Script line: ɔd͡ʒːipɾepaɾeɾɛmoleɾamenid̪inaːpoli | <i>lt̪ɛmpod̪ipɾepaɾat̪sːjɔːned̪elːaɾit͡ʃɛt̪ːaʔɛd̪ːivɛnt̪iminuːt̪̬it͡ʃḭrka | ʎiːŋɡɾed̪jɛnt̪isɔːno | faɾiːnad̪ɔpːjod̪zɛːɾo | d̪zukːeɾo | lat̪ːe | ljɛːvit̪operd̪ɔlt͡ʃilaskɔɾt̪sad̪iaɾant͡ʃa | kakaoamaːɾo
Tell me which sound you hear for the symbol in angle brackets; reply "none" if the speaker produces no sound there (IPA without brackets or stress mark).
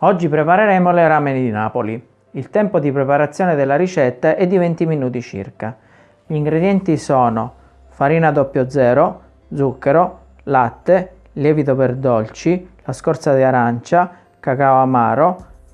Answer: i